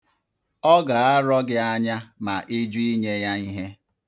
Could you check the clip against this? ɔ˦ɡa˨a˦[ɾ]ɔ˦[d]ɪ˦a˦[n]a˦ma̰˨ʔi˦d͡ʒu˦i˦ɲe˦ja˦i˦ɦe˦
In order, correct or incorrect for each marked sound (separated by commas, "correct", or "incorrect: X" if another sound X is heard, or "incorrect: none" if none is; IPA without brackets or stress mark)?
correct, incorrect: ɡ, incorrect: ɲ